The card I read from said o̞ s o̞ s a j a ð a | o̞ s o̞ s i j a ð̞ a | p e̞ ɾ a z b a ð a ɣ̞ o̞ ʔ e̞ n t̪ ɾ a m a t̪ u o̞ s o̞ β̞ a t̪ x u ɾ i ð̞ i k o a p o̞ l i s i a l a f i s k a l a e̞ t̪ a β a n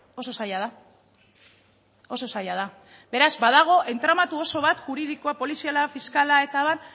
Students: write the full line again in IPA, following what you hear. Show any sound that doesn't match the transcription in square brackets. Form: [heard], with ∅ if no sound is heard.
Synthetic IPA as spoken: o̞ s o̞ s a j a ð a | o̞ s o̞ s [a] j a ð̞ a | [b] e̞ ɾ a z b a ð a ɣ̞ o̞ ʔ e̞ n t̪ ɾ a m a t̪ u o̞ s o̞ β̞ a t̪ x u ɾ i ð̞ i k o a p o̞ l i s i a l a f i s k a l a e̞ t̪ a β a n